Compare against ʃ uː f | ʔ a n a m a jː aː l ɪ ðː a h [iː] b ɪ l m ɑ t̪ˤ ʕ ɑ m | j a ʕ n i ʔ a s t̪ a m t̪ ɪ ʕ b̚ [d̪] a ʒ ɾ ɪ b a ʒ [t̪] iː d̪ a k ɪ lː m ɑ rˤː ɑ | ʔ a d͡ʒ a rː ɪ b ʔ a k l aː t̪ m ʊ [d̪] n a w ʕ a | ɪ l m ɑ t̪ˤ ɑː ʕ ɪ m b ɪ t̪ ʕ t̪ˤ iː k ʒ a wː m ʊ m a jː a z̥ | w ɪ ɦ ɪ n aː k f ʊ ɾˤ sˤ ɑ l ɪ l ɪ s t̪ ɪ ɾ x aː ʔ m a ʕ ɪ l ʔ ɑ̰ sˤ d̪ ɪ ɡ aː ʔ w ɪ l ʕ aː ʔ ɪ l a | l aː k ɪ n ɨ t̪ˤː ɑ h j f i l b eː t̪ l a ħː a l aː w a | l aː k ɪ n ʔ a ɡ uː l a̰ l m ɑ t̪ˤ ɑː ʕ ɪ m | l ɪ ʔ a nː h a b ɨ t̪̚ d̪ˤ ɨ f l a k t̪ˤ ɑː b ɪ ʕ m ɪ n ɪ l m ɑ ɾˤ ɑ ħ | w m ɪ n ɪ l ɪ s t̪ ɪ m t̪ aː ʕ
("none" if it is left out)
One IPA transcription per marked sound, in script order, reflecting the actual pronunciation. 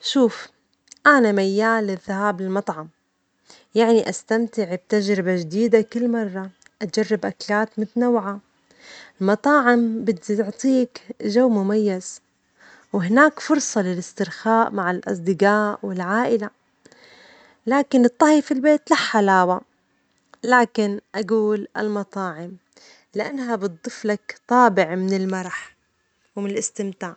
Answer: aː, t̪, d̪, t̪

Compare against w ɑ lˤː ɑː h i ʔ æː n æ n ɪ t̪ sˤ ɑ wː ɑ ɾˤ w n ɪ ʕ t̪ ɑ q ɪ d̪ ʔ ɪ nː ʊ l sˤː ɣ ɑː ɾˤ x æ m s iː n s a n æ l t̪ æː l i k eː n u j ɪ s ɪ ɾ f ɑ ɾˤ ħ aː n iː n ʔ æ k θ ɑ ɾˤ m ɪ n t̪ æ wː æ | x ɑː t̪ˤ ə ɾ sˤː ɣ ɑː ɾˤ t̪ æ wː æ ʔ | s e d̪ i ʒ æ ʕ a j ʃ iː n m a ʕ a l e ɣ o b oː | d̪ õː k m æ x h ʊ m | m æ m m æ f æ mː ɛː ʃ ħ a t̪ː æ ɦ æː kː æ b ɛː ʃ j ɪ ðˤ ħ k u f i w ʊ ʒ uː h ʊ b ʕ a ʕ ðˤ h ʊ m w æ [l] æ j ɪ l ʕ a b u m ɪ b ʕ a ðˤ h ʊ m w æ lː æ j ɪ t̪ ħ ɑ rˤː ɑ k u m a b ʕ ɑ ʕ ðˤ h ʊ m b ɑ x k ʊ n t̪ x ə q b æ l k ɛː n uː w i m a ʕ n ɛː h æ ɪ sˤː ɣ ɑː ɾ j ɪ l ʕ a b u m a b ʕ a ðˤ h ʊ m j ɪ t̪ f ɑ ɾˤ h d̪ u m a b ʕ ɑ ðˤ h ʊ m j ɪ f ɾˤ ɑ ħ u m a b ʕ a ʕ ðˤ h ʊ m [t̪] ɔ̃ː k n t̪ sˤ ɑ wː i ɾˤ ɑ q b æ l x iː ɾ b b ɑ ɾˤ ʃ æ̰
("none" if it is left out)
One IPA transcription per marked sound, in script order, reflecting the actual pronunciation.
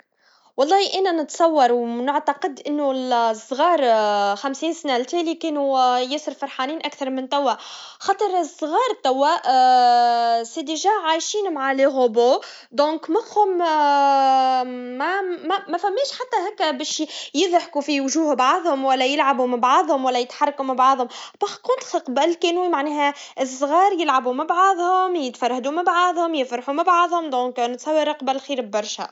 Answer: lː, d̪

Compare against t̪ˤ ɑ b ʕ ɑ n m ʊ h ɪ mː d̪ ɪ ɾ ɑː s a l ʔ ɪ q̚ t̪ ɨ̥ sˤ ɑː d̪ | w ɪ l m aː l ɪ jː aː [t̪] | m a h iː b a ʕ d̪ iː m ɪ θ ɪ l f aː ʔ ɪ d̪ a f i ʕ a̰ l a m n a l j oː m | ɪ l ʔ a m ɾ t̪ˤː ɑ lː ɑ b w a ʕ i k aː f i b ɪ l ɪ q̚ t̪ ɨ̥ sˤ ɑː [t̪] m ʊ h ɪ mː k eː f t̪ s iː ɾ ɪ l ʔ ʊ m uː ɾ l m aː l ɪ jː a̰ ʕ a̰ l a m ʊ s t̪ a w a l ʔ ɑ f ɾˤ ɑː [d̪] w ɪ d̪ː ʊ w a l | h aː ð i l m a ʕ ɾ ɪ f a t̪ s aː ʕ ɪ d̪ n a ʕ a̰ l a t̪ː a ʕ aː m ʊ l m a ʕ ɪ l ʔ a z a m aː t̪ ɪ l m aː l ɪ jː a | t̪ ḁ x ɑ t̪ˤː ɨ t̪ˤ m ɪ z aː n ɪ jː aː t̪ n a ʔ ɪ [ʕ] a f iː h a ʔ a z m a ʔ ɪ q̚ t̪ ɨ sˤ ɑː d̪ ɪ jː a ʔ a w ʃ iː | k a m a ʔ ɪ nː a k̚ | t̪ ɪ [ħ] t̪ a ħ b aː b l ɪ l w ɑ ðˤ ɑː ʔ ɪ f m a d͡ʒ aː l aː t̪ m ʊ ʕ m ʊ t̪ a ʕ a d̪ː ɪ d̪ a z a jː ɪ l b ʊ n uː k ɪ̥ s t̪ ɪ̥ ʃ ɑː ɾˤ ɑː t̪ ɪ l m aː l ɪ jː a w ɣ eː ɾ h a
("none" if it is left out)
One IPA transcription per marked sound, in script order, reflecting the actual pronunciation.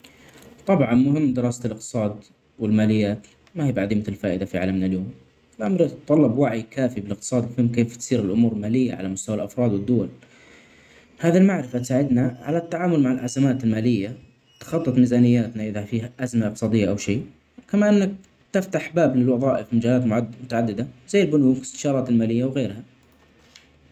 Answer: t̪, d̪, d̪, ð, f

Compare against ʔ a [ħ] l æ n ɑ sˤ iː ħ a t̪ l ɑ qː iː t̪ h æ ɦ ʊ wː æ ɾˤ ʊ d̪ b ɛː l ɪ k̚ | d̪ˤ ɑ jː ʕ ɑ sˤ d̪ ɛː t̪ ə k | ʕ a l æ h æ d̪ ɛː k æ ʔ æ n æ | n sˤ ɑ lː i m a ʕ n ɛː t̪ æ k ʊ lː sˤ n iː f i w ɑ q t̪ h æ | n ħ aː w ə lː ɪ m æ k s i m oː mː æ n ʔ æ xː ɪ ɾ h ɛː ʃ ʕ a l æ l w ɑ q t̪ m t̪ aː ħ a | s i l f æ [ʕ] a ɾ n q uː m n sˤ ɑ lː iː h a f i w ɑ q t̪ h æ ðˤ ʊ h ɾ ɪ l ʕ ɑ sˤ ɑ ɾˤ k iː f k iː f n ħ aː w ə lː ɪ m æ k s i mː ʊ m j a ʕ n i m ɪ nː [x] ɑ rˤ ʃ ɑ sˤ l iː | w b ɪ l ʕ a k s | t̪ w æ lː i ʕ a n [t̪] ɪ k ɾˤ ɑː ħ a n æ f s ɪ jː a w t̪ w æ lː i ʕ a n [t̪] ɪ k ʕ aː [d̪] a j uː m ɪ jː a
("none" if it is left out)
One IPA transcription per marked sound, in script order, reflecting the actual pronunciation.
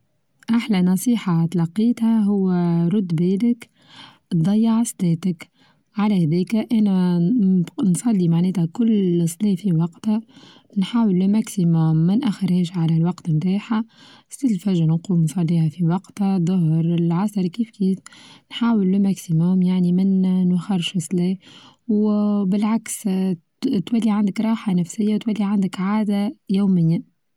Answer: ħ, ʒ, x, d̪, d̪, d̪

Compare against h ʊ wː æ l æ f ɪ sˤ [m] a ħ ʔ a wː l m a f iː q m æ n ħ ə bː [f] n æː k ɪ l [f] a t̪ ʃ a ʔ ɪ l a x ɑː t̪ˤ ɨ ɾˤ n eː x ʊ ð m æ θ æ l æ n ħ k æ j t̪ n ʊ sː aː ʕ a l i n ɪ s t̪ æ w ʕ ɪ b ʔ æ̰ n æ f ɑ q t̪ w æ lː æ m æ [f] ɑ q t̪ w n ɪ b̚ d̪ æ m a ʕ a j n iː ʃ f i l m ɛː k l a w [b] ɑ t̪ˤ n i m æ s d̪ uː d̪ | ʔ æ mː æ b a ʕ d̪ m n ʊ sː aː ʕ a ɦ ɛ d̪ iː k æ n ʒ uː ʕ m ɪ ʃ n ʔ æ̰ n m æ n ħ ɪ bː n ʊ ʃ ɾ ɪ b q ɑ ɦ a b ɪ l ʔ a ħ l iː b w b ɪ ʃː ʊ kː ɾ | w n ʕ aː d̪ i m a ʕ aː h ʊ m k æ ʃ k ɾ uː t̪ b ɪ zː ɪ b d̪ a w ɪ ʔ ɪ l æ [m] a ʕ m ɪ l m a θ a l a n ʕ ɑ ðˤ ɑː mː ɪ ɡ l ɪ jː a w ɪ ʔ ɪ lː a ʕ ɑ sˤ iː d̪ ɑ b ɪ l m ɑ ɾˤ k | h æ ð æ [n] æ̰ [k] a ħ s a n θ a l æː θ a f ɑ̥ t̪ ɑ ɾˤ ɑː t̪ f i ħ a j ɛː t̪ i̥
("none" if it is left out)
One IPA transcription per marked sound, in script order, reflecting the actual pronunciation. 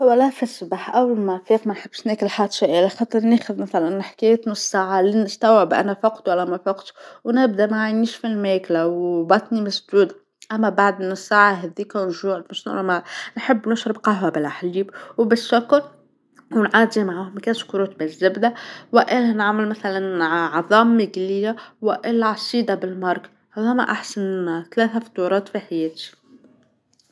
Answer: b, ʃ, ħ, f, b, n, m, ʔ

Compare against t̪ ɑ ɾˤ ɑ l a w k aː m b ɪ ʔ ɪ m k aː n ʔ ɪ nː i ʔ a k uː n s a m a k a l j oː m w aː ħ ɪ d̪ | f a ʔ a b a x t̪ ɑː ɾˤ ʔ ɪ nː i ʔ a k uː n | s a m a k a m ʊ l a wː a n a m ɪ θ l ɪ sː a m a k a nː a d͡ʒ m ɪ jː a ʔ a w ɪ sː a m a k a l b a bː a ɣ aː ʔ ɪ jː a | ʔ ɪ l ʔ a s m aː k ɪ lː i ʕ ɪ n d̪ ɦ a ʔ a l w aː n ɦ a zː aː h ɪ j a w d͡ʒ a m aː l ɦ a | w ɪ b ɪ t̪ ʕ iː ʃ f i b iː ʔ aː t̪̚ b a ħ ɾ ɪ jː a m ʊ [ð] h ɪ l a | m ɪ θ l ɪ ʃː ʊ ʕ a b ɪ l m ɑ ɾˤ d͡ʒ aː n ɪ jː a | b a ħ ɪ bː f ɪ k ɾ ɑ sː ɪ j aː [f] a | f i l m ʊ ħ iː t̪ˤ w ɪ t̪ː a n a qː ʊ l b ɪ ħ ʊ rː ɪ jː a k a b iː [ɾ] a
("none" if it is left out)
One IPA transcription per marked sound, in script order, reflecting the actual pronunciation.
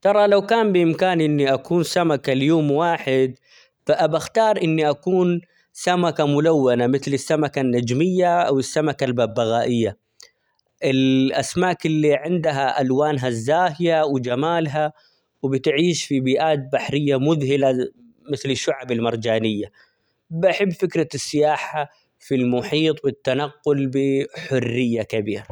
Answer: ð, ħ, ɾ

